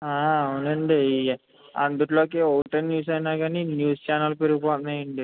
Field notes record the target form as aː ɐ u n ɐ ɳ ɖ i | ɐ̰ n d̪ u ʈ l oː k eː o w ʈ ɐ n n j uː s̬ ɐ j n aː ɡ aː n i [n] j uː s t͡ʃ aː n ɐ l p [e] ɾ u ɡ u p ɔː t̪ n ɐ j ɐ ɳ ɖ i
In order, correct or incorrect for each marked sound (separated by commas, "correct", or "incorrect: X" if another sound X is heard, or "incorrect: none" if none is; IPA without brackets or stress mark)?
correct, correct